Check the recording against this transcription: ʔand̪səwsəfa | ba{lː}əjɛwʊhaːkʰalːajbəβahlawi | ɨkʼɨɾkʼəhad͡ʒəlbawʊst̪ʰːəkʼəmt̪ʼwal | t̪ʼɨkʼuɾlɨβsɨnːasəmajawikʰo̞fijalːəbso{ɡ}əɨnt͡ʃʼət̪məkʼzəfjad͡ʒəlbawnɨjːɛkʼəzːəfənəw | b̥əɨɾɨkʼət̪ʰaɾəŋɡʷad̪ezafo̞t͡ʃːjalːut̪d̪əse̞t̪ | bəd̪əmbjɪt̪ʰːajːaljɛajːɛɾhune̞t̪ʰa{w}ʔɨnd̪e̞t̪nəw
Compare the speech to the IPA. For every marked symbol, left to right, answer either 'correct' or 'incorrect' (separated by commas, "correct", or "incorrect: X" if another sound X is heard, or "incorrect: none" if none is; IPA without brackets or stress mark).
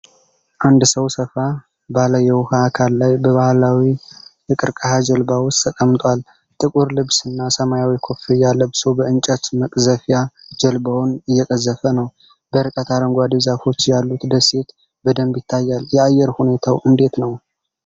incorrect: l, incorrect: b, correct